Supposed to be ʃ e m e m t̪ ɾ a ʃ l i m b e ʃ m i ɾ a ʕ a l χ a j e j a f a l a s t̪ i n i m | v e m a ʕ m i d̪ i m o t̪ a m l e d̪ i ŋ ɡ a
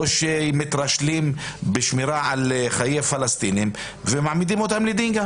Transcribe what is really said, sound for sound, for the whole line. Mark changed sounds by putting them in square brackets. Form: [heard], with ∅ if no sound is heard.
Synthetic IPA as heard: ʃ e m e [∅] t̪ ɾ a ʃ l i m b e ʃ m i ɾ a ʕ a l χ a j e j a f a l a s t̪ i n i m | v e m a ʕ m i d̪ i m o t̪ a m l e d̪ i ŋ ɡ a